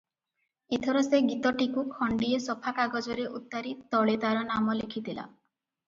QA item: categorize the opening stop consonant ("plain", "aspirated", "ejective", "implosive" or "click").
aspirated